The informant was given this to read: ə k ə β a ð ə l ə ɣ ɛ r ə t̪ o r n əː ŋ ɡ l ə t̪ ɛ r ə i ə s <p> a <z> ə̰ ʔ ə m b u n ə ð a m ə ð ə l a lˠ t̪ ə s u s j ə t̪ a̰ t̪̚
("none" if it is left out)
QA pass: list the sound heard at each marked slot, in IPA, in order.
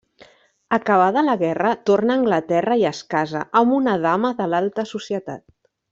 k, z

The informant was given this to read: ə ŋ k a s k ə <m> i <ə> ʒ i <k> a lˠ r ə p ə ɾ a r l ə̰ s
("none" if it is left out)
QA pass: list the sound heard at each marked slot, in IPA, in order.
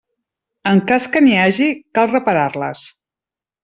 n, a, k

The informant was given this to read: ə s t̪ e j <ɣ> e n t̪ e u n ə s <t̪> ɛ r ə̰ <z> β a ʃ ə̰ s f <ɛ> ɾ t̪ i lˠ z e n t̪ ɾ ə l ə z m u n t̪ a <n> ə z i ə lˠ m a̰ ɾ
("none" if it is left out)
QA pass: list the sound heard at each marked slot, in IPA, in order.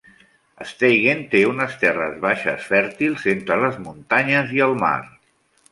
ɣ, t̪, z, ɛ, ɲ

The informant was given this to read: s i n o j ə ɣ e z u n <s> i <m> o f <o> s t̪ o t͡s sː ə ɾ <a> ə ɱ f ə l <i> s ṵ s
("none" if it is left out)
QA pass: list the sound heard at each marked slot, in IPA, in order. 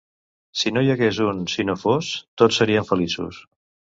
s, n, o, i, i

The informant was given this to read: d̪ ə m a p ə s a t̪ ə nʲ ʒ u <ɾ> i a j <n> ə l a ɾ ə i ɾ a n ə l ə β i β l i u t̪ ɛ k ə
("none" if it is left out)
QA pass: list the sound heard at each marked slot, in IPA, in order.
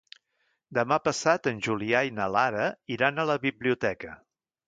l, n

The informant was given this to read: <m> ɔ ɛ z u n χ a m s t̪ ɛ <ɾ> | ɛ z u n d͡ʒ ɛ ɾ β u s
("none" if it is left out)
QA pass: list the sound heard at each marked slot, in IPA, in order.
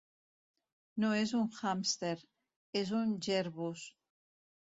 n, ɾ

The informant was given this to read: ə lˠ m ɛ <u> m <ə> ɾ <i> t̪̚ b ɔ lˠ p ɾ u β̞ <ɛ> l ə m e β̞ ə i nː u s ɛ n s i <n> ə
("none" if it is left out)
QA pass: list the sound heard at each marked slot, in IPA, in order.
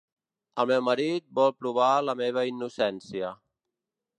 w, ə, i, a, none

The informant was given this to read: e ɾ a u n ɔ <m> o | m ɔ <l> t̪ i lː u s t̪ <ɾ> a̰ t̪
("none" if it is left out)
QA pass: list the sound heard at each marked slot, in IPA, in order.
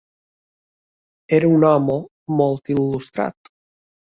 m, l, ɾ

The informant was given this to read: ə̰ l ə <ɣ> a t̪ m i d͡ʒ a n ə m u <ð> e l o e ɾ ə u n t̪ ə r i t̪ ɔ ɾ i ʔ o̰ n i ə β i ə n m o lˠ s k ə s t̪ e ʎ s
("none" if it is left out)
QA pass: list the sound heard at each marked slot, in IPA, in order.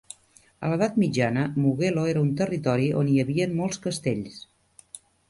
ð, ɣ

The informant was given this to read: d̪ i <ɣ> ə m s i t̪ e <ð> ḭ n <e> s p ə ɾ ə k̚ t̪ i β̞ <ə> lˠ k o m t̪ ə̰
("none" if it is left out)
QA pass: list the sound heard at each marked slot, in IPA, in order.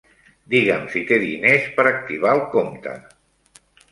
ɣ, ð, e, a

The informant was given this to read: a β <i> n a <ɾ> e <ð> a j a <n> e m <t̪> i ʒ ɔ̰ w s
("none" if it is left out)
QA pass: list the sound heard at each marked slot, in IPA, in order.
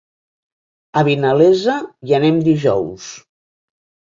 i, l, z, n, d̪

